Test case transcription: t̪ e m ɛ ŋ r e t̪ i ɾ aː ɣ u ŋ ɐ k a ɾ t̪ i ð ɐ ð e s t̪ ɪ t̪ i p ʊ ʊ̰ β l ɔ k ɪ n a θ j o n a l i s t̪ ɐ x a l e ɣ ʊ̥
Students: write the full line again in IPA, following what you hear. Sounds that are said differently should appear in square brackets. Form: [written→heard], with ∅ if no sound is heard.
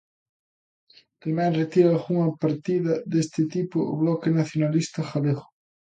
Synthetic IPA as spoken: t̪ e m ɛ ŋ r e t̪ i ɾ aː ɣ u ŋ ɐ [k→p] a ɾ t̪ i ð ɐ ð e s t̪ ɪ t̪ i p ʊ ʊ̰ β l ɔ k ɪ n a θ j o n a l i s t̪ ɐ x a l e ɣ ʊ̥